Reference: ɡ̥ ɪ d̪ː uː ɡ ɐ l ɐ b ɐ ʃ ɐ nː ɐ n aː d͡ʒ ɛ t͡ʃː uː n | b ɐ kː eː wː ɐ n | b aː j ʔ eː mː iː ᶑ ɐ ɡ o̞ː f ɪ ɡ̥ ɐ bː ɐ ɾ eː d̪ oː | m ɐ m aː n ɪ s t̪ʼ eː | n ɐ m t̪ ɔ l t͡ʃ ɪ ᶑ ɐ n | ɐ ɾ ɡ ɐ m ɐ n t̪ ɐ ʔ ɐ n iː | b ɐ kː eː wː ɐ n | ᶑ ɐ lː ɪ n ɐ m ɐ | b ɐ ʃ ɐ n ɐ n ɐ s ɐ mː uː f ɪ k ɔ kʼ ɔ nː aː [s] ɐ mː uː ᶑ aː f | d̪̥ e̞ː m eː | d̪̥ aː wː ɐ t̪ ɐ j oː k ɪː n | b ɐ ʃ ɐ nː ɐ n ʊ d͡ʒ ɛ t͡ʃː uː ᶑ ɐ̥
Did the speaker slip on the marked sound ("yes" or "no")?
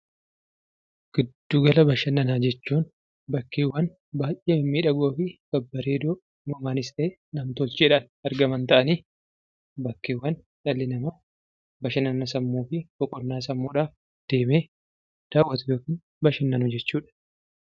no